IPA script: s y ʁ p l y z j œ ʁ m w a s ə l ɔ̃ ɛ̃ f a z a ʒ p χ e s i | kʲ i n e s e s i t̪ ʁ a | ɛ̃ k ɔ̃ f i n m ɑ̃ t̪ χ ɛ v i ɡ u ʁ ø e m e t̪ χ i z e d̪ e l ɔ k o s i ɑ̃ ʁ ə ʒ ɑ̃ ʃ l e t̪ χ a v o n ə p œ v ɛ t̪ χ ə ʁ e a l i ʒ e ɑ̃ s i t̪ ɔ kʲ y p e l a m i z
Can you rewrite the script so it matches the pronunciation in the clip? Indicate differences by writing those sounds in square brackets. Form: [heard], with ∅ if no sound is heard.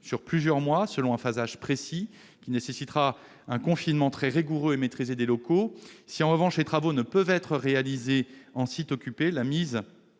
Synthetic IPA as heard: s y ʁ p l y z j œ ʁ m w a s ə l ɔ̃ ɛ̃ f a z a ʒ p χ e s i | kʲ i n e s e s i t̪ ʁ a | ɛ̃ k ɔ̃ f i n m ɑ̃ t̪ χ ɛ [ʁ] i ɡ u ʁ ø e m e t̪ χ i z e d̪ e l ɔ k o s i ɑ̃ ʁ ə [v] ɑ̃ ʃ l e t̪ χ a v o n ə p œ v ɛ t̪ χ ə ʁ e a l i [z] e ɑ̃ s i t̪ ɔ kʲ y p e l a m i z

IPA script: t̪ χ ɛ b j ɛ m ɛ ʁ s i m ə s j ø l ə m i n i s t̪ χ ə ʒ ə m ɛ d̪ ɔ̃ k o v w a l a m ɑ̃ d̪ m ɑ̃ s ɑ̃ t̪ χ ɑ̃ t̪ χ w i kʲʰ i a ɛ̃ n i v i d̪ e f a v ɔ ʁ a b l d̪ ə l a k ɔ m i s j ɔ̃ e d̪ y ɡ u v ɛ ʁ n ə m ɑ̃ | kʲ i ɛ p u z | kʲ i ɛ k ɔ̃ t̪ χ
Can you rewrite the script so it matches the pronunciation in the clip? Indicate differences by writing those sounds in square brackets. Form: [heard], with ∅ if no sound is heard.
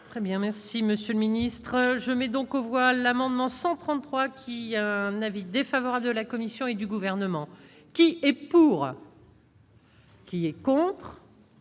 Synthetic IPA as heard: t̪ χ ɛ b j [ɛ̃] m ɛ ʁ s i m ə s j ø l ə m i n i s t̪ χ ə ʒ ə m ɛ d̪ ɔ̃ k o v w a l a m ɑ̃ d̪ m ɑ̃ s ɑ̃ t̪ χ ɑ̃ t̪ χ w [a] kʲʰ i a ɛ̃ n [a] v i d̪ e f a v ɔ ʁ a b l d̪ ə l a k ɔ m i s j ɔ̃ e d̪ y ɡ u v ɛ ʁ n ə m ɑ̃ | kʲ i ɛ p u [ʁ] | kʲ i ɛ k ɔ̃ t̪ χ

